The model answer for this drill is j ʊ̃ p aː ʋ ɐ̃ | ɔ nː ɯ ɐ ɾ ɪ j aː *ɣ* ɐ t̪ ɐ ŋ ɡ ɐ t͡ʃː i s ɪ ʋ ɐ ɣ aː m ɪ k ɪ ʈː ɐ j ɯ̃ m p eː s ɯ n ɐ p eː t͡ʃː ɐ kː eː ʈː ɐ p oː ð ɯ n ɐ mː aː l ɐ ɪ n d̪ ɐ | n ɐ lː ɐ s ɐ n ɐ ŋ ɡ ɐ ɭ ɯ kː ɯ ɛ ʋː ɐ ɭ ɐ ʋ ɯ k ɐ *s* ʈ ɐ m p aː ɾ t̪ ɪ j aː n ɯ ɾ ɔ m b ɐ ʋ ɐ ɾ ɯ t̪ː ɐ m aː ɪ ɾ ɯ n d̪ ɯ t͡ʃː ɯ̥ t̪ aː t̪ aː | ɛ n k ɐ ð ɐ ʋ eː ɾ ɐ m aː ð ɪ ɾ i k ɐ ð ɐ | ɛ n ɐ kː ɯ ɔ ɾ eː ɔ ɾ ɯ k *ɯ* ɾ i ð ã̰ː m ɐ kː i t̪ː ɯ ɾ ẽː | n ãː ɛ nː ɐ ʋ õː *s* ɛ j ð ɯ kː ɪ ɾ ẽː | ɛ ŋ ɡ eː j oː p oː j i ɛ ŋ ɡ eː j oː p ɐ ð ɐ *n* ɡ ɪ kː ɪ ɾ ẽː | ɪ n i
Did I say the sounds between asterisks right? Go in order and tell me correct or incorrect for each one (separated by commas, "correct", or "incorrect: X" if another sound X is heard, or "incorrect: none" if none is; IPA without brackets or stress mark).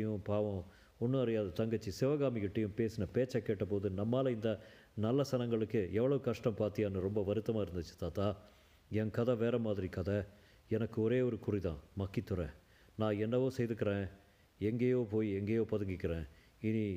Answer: incorrect: ð, incorrect: ʂ, incorrect: ʊ, correct, incorrect: ŋ